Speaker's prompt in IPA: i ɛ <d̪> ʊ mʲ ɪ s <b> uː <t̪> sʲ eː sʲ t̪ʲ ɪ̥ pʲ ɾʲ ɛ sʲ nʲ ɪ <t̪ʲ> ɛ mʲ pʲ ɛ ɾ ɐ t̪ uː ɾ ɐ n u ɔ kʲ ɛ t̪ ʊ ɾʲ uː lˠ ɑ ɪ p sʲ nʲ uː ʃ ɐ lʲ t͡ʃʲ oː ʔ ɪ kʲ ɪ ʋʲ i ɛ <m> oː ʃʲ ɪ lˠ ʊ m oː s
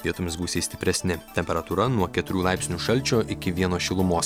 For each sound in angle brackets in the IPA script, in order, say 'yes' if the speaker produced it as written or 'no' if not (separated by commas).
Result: no, yes, no, yes, no